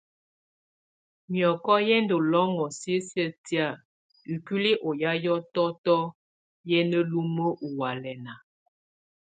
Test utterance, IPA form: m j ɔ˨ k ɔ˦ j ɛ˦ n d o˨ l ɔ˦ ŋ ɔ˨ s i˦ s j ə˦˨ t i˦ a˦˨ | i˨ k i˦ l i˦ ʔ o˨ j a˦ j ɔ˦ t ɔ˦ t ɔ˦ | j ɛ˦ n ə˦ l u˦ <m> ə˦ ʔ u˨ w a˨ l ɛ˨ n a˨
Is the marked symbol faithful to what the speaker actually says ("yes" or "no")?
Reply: yes